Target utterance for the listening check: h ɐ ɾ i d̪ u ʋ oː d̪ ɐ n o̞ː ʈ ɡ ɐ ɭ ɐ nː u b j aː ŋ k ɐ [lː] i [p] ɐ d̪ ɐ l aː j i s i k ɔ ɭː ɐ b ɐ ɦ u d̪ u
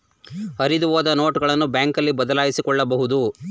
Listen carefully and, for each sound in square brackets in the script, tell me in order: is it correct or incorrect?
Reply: correct, incorrect

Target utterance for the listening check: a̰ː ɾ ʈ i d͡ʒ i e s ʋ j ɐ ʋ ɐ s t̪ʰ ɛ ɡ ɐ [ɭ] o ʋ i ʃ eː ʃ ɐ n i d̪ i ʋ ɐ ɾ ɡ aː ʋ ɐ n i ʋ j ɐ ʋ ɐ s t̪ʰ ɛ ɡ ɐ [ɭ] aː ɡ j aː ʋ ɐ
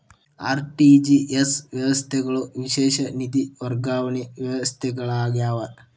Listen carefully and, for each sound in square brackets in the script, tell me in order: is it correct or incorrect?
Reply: correct, correct

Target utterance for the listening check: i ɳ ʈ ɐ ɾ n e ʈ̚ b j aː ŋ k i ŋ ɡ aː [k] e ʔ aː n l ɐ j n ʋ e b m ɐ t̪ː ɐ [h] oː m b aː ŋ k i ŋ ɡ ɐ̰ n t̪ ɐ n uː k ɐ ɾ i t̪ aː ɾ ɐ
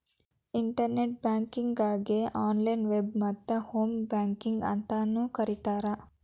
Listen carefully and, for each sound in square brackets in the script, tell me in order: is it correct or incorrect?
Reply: incorrect, correct

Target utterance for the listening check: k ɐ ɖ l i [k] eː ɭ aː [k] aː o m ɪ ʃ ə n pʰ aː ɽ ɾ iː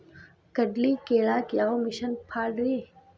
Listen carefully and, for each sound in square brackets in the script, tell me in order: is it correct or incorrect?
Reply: correct, correct

